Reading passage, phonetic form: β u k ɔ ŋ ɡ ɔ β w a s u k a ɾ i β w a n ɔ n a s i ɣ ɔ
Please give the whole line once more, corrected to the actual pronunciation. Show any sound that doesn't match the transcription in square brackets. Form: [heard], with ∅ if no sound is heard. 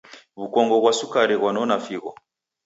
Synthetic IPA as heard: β u k ɔ ŋ ɡ ɔ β w a s u k a ɾ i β w a n ɔ n a [f] i ɣ ɔ